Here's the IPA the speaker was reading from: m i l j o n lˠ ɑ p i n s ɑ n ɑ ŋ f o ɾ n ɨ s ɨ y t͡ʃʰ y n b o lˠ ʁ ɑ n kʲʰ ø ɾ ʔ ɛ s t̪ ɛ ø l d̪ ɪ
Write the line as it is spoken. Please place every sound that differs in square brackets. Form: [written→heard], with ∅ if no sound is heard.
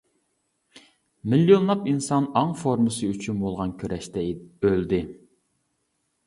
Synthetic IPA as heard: m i l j o n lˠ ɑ p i n s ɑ n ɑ ŋ f o ɾ [n→m] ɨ s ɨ y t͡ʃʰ y n b o lˠ ʁ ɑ n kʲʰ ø ɾ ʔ ɛ [s→ʃ] t̪ ɛ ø l d̪ ɪ